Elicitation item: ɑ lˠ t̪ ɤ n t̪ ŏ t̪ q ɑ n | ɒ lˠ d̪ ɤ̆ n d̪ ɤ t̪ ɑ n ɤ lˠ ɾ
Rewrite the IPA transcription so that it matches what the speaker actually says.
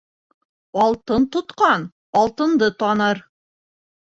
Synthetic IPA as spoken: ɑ lˠ t̪ ɤ n t̪ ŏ t̪ q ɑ n | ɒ lˠ t̪ ɤ̆ n d̪ ɤ t̪ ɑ n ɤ ɾ